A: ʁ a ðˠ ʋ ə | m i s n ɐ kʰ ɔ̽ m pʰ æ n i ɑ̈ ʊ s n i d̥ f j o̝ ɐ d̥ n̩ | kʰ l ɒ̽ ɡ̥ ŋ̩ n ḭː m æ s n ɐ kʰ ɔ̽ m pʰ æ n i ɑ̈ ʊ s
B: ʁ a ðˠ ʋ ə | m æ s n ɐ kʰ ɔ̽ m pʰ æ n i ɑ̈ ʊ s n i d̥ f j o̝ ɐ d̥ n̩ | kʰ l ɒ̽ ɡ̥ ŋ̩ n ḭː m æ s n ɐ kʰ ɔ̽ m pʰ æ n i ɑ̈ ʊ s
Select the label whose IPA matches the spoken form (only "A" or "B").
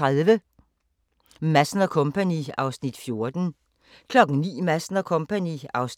B